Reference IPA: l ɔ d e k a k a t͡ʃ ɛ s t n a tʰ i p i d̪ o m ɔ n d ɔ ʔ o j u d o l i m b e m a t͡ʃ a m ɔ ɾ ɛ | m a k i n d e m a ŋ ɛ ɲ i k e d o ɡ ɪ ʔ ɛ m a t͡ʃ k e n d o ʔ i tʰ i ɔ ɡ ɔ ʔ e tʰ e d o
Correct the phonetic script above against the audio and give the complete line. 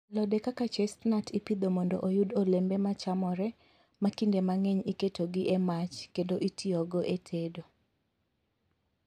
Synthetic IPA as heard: l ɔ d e k a k a t͡ʃ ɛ s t n a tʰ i p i d̪ o m ɔ n d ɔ ʔ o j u d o l e m b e m a t͡ʃ a m ɔ ɾ ɛ | m a k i n d e m a ŋ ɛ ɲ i k e t o ɡ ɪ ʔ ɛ m a t͡ʃ k e n d o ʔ i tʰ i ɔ ɡ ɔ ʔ e tʰ e d o